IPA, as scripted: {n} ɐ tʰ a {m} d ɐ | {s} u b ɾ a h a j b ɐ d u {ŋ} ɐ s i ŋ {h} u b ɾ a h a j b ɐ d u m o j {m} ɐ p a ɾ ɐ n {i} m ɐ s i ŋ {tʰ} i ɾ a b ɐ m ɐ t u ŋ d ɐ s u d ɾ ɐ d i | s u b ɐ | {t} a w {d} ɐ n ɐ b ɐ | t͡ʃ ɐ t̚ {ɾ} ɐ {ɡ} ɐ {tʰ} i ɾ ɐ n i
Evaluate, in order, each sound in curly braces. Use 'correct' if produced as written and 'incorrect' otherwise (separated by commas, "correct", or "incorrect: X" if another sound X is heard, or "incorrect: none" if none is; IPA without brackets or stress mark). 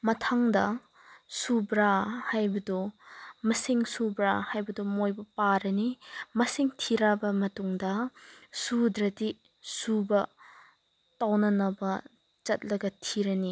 incorrect: m, incorrect: ŋ, correct, incorrect: m, incorrect: s, incorrect: b, correct, correct, correct, incorrect: n, incorrect: l, correct, correct